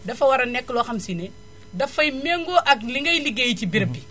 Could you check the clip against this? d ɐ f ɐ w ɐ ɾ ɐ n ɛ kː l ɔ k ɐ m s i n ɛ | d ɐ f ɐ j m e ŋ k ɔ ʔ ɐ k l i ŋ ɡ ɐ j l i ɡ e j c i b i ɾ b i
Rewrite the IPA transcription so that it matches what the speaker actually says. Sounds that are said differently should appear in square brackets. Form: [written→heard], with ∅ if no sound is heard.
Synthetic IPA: d ɐ f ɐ w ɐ ɾ ɐ n ɛ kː l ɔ [k→x] ɐ m s i n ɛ | d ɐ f ɐ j m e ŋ [k→ɡ] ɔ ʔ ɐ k l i ŋ ɡ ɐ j l i ɡ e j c i b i ɾ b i